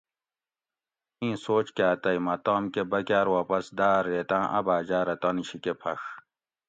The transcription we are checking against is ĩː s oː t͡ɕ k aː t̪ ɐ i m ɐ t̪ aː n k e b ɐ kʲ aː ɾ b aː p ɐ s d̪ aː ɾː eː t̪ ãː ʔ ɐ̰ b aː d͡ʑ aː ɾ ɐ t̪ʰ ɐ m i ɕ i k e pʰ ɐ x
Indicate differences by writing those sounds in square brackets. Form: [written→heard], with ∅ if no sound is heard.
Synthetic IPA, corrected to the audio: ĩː s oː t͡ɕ k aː t̪ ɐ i m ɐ t̪ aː [n→m] k e b ɐ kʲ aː ɾ [b→w] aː p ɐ s d̪ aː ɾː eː t̪ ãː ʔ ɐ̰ b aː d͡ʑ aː ɾ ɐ [t̪ʰ→t̪] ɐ [m→n] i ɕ i k e pʰ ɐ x